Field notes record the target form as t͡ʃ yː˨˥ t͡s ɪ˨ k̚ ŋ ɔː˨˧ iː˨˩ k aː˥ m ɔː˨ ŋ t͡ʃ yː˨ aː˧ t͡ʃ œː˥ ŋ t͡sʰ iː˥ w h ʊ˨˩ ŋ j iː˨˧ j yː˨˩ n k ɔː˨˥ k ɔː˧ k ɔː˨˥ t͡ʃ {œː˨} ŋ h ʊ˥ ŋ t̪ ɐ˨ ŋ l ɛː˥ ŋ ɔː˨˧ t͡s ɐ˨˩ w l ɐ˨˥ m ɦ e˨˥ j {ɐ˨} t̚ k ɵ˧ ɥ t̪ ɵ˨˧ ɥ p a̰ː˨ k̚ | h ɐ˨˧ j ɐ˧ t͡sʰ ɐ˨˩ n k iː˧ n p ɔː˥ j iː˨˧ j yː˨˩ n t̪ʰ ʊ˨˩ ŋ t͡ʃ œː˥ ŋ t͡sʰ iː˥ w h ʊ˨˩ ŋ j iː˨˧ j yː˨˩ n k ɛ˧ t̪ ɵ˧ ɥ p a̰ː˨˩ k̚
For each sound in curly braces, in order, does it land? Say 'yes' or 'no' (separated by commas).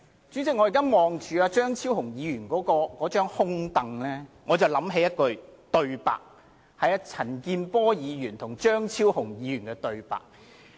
no, no